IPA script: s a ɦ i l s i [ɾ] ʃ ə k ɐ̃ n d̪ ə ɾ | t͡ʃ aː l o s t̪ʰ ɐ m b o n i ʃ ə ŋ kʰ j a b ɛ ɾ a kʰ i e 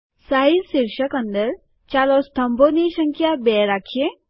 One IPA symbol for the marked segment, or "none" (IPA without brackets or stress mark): ɾ